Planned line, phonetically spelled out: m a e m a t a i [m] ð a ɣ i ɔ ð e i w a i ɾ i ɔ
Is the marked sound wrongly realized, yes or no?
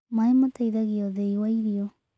yes